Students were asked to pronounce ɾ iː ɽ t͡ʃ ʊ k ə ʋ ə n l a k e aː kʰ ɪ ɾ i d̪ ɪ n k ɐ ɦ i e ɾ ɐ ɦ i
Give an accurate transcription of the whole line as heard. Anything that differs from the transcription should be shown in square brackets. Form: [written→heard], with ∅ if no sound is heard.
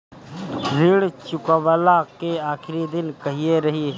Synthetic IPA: ɾ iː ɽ t͡ʃ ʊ k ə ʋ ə [n→∅] l a k e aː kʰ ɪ ɾ i d̪ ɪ n k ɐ ɦ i e ɾ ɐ ɦ i